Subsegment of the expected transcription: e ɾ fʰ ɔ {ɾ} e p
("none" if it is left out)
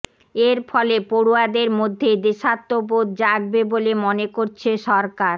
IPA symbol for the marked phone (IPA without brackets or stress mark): l